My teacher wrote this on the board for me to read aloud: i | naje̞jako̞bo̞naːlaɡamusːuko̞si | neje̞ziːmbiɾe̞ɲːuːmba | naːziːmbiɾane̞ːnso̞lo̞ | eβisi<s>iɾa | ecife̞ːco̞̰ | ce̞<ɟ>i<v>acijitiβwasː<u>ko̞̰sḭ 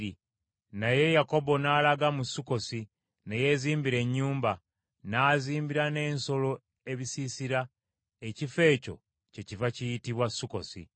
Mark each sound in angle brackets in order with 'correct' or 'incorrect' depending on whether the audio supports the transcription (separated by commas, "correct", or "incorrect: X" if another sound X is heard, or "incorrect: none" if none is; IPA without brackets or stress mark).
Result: correct, incorrect: c, correct, correct